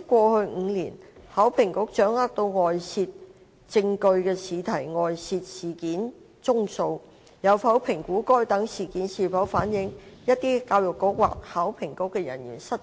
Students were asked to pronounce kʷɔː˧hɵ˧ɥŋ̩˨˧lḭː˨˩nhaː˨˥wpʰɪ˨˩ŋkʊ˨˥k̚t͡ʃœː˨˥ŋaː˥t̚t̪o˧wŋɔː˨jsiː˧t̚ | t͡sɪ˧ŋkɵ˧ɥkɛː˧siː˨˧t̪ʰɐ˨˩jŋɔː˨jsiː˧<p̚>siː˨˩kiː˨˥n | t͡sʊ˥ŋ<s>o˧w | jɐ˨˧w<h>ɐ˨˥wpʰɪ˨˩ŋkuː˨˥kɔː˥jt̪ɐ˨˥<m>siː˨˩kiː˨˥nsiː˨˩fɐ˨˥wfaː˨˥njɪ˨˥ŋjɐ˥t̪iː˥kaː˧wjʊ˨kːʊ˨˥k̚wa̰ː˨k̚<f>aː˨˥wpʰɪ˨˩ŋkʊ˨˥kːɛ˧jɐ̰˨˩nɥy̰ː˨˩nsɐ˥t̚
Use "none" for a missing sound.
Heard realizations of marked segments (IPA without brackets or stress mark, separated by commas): t̚, s, f, ŋ, h